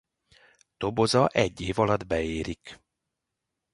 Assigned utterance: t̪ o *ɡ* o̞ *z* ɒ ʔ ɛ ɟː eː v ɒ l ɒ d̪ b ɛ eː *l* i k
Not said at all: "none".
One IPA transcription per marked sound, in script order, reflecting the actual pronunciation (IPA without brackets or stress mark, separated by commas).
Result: b, z, ɾ